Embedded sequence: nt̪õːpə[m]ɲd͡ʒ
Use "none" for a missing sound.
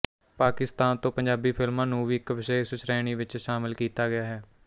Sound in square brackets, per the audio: none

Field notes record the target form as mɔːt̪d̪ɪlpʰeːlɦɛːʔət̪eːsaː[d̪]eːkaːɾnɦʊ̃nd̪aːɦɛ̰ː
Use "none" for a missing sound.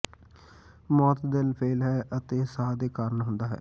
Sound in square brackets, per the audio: d̪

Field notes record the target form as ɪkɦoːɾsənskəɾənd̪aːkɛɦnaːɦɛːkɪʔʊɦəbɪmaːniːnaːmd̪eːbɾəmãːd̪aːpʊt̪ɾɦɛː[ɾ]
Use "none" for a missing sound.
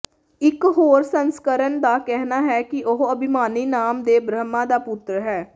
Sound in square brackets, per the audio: none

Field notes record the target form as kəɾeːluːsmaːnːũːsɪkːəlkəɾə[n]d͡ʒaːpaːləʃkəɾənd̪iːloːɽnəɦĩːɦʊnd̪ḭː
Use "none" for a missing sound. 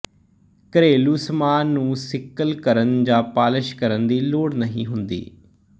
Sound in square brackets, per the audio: n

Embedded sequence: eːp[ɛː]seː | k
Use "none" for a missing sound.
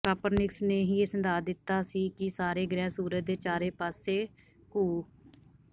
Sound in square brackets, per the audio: aː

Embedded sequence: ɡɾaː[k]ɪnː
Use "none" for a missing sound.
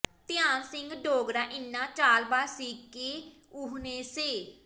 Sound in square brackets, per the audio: ʔ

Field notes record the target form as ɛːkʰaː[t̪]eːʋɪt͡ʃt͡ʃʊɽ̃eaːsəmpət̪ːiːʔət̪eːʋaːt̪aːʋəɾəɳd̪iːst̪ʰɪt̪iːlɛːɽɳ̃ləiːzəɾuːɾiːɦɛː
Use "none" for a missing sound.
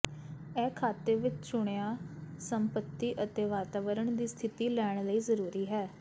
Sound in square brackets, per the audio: t̪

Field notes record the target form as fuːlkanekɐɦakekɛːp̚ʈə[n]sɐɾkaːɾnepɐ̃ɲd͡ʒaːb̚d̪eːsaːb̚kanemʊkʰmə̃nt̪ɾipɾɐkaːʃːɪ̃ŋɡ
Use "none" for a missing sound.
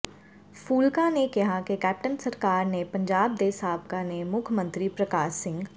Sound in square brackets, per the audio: n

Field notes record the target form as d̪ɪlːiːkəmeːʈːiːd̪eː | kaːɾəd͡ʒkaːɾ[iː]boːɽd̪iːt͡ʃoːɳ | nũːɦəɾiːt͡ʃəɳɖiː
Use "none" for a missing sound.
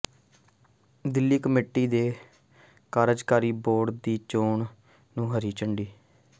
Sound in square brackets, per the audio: iː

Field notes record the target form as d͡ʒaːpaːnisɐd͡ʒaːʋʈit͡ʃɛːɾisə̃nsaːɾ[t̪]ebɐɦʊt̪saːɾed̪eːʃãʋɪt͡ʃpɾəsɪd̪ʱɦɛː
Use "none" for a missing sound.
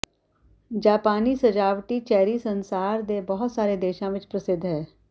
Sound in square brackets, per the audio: d̪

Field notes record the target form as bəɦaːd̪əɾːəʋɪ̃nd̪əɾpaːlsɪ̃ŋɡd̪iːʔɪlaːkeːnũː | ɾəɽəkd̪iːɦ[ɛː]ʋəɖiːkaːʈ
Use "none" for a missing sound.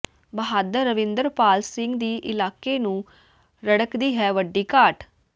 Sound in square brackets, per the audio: ɛː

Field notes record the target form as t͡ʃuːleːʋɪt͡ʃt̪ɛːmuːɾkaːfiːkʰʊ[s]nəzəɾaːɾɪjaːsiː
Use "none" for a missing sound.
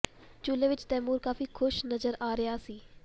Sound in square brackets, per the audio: ʃ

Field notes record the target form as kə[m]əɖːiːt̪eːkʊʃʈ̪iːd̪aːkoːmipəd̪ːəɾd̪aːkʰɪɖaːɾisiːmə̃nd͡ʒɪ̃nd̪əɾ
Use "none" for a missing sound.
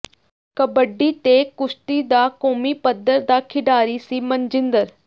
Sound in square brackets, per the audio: b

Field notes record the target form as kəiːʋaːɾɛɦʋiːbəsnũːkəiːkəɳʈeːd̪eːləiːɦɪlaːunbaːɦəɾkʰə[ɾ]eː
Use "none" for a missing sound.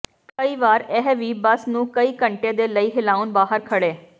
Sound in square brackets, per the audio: ɽ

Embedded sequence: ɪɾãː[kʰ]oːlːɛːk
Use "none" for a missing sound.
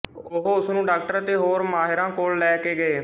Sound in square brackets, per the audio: k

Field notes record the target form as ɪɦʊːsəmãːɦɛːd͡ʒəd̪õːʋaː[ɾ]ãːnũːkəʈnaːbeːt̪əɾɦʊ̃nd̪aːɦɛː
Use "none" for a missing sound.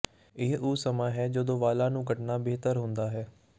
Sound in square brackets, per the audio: l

